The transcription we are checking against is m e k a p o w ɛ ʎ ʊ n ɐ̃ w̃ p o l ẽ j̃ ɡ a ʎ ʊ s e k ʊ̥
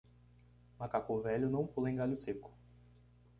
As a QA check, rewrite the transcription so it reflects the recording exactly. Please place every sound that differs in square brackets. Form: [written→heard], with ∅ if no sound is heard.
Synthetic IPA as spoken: m [e→a] k a [p→k] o [w→v] ɛ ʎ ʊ n ɐ̃ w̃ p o l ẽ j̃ ɡ a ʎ ʊ s e k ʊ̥